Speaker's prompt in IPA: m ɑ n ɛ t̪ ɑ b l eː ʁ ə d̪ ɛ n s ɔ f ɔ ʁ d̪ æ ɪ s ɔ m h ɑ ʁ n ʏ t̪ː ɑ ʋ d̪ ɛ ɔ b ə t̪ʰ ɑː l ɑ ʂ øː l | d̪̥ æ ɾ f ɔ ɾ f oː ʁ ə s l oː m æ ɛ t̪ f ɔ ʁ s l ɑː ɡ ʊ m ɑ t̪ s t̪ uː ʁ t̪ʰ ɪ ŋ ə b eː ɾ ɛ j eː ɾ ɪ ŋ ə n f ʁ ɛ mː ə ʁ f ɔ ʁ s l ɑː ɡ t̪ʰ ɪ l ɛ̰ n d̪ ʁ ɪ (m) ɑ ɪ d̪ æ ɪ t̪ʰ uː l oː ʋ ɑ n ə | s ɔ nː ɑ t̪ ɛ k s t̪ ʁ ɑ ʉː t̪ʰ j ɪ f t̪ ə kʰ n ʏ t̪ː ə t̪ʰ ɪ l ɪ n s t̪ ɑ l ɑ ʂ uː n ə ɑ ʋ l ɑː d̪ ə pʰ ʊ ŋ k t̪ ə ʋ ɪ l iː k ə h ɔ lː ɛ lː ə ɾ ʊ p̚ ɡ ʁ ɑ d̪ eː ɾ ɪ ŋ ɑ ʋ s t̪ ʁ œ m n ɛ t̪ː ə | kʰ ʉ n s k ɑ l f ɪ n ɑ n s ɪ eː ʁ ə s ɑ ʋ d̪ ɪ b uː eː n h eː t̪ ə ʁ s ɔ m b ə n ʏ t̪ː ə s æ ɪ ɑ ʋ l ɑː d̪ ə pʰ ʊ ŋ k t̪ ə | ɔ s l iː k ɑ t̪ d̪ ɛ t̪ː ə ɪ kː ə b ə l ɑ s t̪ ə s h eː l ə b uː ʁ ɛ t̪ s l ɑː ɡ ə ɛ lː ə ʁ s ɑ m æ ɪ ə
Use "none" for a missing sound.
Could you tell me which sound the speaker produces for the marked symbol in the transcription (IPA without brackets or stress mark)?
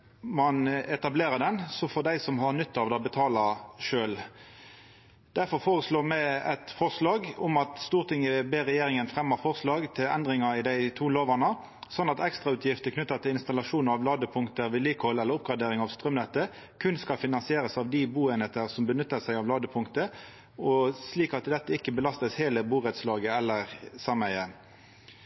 ŋ